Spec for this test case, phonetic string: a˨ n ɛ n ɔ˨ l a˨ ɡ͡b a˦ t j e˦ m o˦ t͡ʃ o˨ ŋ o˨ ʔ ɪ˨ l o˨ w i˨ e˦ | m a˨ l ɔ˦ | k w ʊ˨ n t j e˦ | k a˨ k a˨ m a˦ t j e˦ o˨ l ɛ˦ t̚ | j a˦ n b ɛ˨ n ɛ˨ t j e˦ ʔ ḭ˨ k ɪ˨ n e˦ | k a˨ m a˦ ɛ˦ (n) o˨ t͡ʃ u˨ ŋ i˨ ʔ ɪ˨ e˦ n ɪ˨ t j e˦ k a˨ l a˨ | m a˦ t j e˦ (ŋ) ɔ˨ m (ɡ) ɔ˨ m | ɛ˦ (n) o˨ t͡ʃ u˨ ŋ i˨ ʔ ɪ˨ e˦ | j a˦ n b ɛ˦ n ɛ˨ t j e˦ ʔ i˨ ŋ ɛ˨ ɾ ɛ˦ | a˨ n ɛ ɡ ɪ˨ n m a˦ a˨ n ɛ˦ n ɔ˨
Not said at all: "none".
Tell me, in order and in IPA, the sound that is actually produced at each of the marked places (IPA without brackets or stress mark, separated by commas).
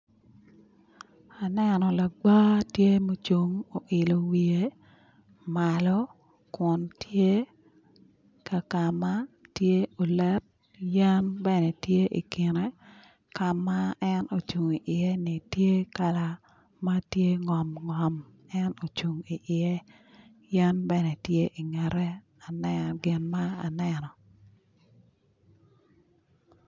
n, ŋ, ŋ, n